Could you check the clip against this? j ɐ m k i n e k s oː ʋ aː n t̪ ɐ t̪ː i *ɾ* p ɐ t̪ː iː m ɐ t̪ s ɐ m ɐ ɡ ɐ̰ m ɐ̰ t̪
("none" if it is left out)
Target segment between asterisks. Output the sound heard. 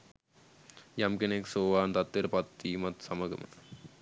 ɾ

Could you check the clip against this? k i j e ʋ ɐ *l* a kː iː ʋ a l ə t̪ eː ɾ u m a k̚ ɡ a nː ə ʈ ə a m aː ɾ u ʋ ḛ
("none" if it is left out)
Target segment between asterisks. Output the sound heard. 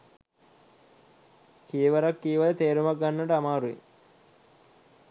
ɾ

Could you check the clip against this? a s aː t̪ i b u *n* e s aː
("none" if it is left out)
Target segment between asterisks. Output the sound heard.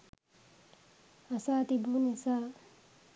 n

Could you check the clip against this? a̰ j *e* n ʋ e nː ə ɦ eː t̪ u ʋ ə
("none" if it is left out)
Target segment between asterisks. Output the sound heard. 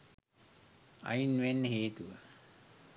i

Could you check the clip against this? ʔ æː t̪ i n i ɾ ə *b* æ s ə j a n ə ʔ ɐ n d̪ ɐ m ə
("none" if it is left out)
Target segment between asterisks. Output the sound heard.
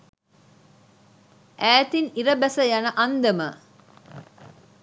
b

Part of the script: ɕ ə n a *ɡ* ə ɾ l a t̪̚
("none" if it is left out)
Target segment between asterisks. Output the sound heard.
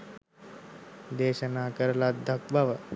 k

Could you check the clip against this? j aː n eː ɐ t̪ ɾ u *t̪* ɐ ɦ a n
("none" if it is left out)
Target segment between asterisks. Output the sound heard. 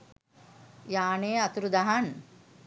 d̪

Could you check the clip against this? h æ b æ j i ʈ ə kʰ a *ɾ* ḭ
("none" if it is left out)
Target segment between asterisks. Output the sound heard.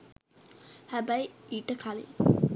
l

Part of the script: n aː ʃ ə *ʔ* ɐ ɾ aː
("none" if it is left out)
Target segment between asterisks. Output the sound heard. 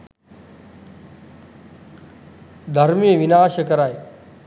k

